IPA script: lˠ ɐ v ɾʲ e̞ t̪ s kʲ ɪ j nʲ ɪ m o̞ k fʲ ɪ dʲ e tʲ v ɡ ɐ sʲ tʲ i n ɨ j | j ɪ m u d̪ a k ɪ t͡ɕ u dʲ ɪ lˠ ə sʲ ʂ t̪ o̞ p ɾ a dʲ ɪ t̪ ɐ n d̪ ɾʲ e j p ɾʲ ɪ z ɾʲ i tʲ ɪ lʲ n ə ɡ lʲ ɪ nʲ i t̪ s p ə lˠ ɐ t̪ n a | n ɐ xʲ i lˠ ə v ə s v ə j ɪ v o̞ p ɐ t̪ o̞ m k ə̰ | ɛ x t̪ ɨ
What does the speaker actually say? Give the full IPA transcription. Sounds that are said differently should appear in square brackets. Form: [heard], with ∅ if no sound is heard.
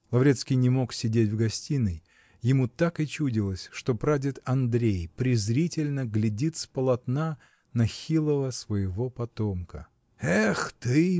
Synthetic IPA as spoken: lˠ ɐ v ɾʲ e̞ t̪ s kʲ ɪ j nʲ ɪ m o̞ k [sʲ] ɪ dʲ e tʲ v ɡ ɐ sʲ tʲ i n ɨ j | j ɪ m u [t̪] a k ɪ t͡ɕ u dʲ ɪ lˠ ə sʲ ʂ t̪ o̞ p ɾ a dʲ ɪ t̪ ɐ n d̪ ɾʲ e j p ɾʲ ɪ z ɾʲ i tʲ ɪ lʲ n ə ɡ lʲ ɪ [dʲ] i t̪ s p ə lˠ ɐ t̪ n a | n ɐ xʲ i lˠ ə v ə s v ə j ɪ v o̞ p ɐ t̪ o̞ m k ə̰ | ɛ x t̪ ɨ